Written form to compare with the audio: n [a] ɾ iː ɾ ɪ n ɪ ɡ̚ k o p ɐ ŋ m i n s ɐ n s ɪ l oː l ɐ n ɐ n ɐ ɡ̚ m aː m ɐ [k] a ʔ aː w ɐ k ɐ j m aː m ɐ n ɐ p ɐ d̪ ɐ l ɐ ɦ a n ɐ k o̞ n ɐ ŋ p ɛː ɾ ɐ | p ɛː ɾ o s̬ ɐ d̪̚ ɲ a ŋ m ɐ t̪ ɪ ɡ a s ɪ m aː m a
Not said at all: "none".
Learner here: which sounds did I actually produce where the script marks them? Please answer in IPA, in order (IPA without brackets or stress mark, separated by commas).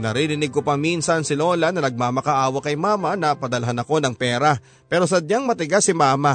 ɐ, k